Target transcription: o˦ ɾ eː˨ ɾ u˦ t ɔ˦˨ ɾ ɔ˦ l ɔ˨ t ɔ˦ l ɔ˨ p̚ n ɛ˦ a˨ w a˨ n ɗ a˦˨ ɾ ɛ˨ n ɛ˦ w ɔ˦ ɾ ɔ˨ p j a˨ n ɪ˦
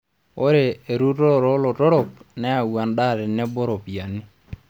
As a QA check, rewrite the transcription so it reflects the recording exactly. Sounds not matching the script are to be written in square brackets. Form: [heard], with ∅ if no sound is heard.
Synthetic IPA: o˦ ɾ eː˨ ɾ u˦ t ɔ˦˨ ɾ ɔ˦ l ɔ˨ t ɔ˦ [ɾ] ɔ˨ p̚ n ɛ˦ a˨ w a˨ n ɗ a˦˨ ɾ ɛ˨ n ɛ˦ [b] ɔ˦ ɾ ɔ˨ p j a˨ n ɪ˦

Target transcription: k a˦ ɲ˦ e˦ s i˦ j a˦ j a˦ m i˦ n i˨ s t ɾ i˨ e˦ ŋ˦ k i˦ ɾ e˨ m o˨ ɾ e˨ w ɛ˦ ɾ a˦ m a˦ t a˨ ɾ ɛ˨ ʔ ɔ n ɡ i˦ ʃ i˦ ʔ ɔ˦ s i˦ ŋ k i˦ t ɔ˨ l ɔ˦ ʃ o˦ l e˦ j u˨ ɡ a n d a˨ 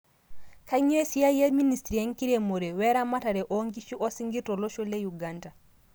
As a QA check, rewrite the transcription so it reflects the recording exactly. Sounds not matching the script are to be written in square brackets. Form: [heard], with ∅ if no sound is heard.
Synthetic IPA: k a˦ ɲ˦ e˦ s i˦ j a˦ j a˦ m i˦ n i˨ s t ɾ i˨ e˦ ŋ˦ k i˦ ɾ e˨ m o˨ ɾ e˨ w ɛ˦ ɾ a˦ m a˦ t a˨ ɾ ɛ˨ ʔ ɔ [ŋ] ɡ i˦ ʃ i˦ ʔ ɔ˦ s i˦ ŋ [ɡ] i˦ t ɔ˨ l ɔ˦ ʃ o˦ l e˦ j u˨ ɡ a n d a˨

